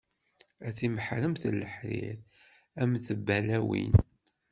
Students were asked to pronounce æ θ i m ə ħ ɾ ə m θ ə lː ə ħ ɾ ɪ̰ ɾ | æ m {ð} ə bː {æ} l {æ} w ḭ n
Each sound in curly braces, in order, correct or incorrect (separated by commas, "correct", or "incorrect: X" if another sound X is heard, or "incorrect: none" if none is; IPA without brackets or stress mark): incorrect: θ, correct, correct